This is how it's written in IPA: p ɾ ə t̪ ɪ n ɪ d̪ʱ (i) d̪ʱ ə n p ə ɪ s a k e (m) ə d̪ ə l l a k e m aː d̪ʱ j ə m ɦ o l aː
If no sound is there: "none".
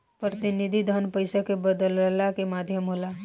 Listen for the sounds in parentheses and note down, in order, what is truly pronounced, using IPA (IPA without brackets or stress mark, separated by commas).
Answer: i, b